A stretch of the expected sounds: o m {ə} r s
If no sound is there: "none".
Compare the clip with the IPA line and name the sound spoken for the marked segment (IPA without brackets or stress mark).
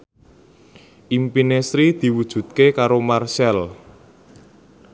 a